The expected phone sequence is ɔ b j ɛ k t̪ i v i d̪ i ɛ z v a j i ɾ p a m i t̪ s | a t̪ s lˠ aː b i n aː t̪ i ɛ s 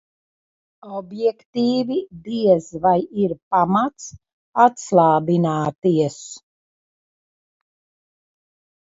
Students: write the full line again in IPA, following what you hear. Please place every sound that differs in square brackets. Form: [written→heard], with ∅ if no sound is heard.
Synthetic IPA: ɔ b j ɛ k t̪ [i→iː] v i d̪ i ɛ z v a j i ɾ p a m [i→a] t̪ s | a t̪ s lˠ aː b i n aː t̪ i ɛ s